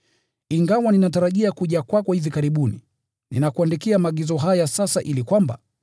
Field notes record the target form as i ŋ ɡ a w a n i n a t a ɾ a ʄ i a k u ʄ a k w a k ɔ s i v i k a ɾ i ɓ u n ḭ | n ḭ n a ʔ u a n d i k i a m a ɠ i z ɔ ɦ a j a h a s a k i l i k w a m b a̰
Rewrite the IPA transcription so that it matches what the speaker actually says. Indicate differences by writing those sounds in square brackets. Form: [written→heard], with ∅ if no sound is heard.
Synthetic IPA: i ŋ ɡ a w a n i n a t a ɾ a ʄ i a k u ʄ a k w a k ɔ [s→h] i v i k a ɾ i ɓ u n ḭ | n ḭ n a [ʔ→k] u a n d i k i a m a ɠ i z ɔ ɦ a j a [h→s] a s a [k→ʔ] i l i k w a m b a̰